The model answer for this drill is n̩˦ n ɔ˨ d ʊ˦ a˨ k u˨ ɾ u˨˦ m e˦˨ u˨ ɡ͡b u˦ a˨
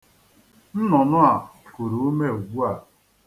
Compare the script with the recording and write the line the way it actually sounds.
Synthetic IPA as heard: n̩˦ n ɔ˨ n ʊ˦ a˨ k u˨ ɾ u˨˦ m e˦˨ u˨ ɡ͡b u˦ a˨